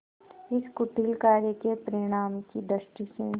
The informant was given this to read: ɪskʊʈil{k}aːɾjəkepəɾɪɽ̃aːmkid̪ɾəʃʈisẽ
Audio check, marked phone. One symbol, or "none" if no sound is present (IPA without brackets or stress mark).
k